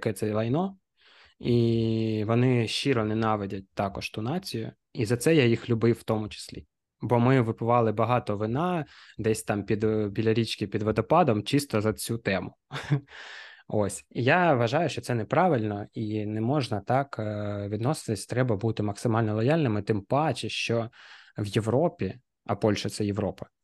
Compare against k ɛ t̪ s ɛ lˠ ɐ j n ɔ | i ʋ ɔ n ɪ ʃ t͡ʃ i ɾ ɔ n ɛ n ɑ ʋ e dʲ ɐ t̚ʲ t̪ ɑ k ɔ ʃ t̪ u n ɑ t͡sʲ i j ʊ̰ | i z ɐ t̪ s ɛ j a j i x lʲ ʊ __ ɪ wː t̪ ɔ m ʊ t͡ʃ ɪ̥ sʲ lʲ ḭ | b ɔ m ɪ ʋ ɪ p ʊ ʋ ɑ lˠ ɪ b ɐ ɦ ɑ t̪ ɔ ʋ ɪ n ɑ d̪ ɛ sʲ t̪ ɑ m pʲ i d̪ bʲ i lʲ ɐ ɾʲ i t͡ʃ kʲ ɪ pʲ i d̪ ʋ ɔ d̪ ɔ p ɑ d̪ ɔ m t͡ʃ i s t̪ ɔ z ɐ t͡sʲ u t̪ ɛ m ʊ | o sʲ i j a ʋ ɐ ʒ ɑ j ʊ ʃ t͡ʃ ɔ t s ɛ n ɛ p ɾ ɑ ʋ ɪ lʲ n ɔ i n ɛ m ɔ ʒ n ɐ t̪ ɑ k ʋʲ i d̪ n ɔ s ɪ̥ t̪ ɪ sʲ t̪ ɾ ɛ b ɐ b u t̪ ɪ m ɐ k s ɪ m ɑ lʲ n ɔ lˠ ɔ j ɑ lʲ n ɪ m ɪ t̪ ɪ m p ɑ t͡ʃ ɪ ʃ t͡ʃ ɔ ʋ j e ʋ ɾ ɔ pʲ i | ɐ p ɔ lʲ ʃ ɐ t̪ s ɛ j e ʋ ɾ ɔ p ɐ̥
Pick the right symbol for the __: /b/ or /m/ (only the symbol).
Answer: b